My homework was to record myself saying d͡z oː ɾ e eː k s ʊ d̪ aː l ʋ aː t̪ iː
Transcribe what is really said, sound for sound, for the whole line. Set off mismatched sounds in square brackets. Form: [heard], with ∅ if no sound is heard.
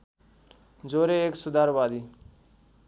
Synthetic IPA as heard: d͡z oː ɾ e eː k s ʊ d̪ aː [ɾ] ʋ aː [d̪] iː